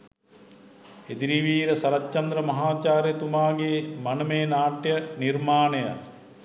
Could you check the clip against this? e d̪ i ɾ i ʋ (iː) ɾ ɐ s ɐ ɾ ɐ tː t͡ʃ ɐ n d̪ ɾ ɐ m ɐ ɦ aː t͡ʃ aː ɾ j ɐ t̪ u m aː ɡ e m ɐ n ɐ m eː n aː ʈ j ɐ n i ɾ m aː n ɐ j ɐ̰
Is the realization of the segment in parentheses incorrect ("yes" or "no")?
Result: no